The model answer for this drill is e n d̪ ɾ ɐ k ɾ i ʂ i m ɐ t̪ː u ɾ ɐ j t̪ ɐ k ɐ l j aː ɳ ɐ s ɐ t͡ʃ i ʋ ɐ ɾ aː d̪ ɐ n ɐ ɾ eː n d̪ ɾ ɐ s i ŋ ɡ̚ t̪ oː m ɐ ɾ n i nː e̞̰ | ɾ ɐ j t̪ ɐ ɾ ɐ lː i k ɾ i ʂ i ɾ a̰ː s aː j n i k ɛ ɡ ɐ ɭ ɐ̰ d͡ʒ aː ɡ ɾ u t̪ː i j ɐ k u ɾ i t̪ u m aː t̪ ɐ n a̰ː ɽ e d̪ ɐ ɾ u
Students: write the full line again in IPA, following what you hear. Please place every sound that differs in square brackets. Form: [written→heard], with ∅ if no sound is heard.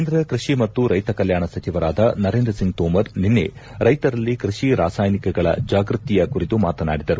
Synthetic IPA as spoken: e n d̪ ɾ ɐ k ɾ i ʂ i m ɐ t̪ː u ɾ ɐ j t̪ ɐ k ɐ l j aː ɳ ɐ s ɐ t͡ʃ i ʋ ɐ ɾ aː d̪ ɐ n ɐ ɾ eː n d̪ ɾ ɐ s i ŋ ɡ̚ t̪ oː m ɐ ɾ n i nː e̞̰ | ɾ ɐ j t̪ ɐ ɾ ɐ lː i k ɾ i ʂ i ɾ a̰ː s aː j n i k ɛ ɡ ɐ ɭ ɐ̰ d͡ʒ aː ɡ ɾ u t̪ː i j ɐ k u ɾ i t̪ u m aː t̪ ɐ n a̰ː ɽ [e→i] d̪ ɐ ɾ u